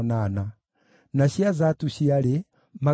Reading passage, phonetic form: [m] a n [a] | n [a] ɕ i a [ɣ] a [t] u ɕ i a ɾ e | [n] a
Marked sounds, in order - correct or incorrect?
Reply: incorrect: n, correct, correct, incorrect: z, correct, incorrect: m

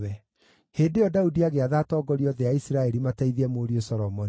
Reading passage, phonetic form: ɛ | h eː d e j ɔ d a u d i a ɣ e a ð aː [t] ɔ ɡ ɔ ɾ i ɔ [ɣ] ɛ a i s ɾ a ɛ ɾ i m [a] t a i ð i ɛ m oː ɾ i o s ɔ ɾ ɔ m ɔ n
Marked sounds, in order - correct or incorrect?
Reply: correct, incorrect: ð, correct

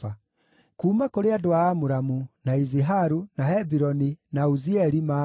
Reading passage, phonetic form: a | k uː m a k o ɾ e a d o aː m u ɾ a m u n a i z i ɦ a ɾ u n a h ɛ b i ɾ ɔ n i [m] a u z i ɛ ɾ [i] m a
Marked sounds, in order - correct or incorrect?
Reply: incorrect: n, correct

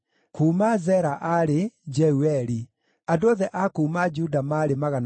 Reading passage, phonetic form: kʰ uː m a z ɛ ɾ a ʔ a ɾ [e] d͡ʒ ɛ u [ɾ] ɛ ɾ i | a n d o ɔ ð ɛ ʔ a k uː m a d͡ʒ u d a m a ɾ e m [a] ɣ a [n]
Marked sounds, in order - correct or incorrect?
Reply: correct, incorrect: none, correct, correct

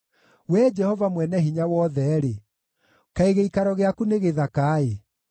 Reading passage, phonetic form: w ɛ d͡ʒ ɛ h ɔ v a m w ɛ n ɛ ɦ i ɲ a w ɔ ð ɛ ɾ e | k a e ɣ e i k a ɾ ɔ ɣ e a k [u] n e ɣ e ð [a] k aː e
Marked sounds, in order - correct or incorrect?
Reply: correct, correct

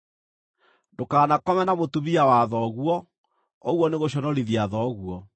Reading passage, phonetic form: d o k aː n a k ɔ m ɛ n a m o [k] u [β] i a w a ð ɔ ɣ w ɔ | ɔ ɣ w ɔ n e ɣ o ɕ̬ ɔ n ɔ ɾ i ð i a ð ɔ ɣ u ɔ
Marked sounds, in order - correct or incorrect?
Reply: incorrect: t, correct

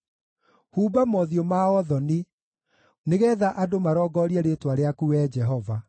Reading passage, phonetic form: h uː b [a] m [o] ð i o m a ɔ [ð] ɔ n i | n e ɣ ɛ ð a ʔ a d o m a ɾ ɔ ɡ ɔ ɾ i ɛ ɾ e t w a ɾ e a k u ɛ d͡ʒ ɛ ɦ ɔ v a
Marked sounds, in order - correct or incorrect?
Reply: correct, incorrect: ɔ, correct

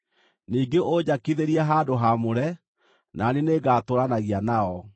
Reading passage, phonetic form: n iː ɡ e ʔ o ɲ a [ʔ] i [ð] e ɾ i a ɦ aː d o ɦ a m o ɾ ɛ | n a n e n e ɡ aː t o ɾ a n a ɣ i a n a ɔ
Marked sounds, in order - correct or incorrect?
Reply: incorrect: k, correct

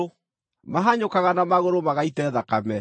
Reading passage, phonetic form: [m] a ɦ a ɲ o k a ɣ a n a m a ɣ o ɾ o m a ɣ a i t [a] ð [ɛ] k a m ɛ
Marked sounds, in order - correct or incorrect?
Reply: correct, incorrect: ɛ, incorrect: a

